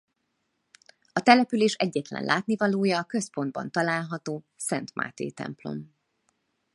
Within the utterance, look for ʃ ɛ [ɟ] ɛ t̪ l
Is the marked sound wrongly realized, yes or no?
yes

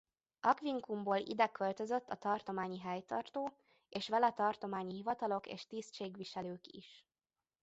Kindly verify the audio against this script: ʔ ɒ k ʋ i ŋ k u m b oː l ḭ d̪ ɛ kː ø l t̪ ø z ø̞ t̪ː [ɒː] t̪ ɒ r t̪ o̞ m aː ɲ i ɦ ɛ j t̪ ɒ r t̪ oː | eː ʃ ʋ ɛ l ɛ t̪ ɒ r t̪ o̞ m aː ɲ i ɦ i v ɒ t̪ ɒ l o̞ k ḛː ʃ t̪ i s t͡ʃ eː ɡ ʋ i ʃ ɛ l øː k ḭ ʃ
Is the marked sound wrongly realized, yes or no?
yes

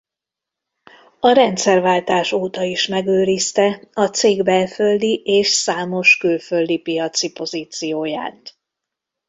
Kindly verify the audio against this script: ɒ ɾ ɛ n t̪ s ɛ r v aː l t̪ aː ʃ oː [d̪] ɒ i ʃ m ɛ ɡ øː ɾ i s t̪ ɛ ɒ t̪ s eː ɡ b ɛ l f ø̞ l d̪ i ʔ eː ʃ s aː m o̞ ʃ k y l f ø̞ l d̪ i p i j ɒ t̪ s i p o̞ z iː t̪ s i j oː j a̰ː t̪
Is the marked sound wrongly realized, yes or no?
yes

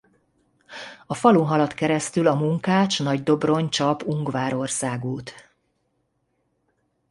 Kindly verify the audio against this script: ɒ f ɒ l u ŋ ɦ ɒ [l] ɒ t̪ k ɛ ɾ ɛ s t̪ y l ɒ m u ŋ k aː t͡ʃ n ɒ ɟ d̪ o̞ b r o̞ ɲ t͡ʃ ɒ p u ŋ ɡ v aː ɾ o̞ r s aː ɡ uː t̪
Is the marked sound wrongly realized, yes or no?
no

